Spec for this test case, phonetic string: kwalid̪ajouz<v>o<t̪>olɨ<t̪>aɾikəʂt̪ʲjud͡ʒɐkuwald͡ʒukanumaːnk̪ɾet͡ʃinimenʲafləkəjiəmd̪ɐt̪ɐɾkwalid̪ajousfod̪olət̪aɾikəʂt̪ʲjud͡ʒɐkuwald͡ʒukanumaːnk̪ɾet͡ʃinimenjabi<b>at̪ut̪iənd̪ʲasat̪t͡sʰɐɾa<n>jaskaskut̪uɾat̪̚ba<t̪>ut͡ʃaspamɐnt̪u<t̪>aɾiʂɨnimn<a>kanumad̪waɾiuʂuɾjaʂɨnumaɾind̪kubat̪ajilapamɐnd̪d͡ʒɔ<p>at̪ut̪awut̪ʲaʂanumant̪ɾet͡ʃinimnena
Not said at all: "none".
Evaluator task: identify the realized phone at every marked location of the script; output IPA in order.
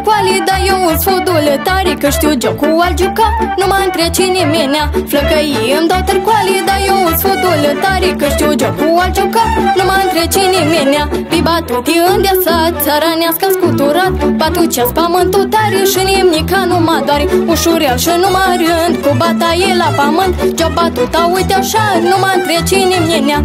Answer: f, d̪, t̪, b, n, t̪, t̪, i, b

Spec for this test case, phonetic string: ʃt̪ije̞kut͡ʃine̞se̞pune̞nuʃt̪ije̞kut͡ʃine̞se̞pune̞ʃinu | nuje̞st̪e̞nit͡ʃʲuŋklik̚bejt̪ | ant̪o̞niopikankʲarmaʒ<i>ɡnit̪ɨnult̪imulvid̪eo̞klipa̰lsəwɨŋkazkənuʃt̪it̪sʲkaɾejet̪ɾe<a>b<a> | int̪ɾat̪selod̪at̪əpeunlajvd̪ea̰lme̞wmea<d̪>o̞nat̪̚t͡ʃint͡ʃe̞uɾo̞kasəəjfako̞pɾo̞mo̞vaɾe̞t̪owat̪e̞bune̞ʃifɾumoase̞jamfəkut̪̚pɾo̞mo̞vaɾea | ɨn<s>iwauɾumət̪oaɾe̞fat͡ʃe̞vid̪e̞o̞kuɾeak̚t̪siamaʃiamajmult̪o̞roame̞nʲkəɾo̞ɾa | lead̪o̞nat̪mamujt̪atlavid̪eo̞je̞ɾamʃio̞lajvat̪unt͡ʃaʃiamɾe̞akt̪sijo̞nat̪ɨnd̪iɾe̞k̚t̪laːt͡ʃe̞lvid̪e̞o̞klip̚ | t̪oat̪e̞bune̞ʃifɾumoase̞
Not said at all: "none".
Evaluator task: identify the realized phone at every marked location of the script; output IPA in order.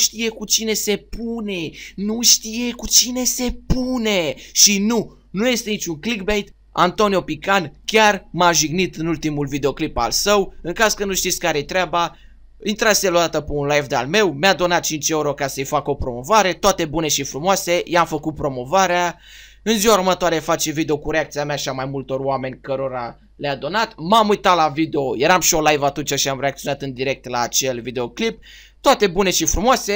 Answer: i, a, a, d̪, z

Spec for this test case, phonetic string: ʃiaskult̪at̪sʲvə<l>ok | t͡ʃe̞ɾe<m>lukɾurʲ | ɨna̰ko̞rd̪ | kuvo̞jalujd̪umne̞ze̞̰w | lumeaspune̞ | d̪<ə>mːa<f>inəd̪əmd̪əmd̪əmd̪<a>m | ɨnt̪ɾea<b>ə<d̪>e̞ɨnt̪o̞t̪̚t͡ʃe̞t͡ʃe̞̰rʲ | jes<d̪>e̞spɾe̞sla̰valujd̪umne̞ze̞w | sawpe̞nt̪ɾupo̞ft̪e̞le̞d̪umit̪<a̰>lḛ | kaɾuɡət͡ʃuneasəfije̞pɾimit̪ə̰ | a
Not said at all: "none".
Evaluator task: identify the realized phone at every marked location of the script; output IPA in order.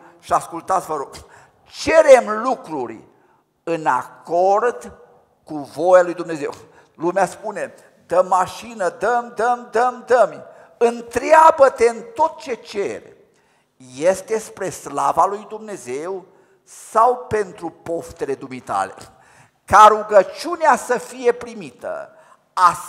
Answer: ɾ, m, ə, ʃ, ə, b, t̪, t̪, a̰

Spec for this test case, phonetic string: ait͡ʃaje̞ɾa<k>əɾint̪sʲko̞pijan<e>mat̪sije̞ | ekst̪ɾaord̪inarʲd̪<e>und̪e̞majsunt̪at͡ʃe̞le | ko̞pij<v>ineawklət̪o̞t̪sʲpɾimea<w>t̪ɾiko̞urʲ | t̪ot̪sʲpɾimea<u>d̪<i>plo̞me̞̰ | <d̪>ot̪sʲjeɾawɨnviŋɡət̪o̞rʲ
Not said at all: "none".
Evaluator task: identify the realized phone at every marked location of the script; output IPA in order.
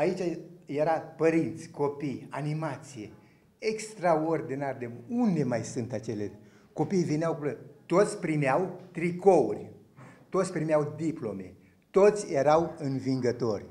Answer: p, i, e, v, w, w, i, t̪

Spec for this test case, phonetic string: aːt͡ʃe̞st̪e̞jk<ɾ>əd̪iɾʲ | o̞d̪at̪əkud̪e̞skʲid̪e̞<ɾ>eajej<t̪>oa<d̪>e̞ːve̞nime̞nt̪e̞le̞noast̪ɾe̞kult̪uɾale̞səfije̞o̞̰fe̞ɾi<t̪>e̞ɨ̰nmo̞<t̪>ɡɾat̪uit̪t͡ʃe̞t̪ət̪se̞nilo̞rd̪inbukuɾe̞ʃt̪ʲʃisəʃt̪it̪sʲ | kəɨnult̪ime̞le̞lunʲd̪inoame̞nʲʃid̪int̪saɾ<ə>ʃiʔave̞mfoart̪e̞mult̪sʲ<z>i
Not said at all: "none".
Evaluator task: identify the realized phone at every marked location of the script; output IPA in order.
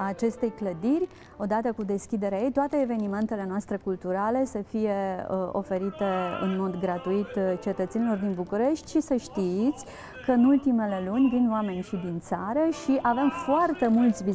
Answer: l, ɾ, t̪, t̪, t̪, d̪, ə, v

